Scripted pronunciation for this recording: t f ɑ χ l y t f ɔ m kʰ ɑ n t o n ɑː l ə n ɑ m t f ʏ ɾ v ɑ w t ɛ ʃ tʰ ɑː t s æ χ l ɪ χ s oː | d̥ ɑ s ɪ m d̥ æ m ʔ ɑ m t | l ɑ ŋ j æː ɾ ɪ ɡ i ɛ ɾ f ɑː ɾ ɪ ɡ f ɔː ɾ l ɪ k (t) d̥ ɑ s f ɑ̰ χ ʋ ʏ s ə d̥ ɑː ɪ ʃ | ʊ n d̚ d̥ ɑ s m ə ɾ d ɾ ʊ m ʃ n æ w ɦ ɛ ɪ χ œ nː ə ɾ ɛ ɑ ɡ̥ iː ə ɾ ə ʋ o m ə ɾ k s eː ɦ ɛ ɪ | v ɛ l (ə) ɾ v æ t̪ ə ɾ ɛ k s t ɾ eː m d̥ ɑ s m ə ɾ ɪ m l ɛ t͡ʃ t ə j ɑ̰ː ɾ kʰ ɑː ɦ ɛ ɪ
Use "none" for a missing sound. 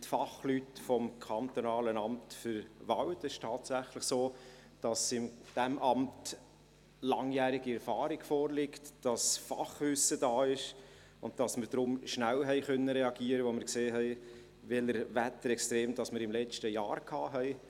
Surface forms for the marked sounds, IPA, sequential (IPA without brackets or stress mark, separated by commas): t, ə